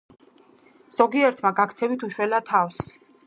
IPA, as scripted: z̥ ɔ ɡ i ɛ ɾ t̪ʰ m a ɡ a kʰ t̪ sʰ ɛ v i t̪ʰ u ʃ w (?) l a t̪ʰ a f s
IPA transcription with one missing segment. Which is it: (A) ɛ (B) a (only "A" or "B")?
A